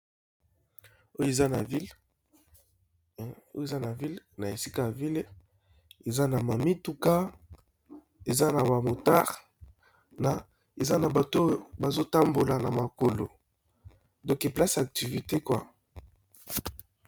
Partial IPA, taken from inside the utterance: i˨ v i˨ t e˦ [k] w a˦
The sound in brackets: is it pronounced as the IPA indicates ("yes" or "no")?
yes